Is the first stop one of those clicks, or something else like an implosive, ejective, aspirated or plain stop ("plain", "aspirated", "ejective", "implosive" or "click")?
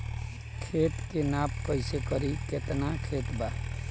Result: aspirated